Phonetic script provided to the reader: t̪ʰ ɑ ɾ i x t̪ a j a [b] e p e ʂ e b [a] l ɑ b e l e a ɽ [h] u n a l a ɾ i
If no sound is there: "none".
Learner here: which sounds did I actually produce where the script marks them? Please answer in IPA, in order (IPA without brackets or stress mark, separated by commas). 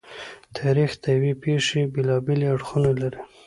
w, e, x